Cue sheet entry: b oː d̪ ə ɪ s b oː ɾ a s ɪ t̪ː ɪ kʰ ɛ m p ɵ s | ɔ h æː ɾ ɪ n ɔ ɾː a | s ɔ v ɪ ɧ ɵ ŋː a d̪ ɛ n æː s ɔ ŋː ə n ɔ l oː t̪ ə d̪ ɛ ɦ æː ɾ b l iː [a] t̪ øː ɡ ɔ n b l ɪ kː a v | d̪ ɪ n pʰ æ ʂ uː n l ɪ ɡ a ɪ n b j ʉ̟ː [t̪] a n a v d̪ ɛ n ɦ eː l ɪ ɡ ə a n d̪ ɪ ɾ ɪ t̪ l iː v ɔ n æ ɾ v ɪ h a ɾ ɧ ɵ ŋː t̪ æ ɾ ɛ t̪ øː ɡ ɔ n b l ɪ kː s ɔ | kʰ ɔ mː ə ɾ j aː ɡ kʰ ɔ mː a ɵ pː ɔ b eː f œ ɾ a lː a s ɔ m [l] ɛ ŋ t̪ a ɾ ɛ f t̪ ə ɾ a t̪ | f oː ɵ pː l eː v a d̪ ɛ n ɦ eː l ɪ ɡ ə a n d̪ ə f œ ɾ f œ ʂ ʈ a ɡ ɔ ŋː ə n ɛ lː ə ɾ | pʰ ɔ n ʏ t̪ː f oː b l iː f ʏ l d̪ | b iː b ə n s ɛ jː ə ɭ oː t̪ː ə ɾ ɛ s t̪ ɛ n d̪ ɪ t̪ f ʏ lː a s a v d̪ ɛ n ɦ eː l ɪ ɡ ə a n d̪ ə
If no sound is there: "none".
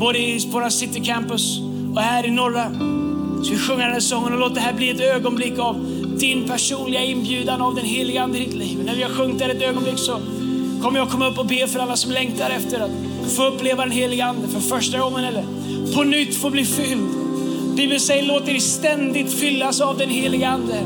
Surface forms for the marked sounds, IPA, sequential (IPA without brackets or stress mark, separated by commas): ɛ, d̪, l